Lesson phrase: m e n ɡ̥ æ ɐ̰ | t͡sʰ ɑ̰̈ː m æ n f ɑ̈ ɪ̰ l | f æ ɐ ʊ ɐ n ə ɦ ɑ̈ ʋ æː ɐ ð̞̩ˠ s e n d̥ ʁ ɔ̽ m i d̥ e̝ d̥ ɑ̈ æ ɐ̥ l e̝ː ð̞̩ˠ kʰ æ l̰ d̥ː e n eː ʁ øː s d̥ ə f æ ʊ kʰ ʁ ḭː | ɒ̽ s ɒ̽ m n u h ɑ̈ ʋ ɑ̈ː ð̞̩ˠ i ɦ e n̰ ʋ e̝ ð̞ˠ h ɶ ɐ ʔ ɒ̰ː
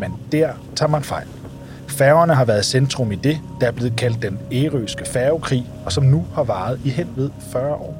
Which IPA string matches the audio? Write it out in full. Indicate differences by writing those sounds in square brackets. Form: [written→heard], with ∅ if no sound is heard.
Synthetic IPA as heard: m e n [ɡ̥→d̥] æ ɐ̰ | t͡sʰ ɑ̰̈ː m æ n f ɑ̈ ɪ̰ l | f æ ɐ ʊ ɐ n ə ɦ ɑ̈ ʋ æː ɐ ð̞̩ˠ s e n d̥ ʁ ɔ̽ m i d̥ e̝ d̥ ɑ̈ æ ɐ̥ l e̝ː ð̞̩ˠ kʰ æ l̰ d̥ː e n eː ʁ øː s [d̥→ɡ̥] ə f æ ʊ kʰ ʁ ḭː | ɒ̽ s ɒ̽ m n u h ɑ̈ ʋ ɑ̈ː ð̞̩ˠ i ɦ e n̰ ʋ e̝ ð̞ˠ [h→f] ɶ ɐ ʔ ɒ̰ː